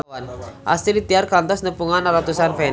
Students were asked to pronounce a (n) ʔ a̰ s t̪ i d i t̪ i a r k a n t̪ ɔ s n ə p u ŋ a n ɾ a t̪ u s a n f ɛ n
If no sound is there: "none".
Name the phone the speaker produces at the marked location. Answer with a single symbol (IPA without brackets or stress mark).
n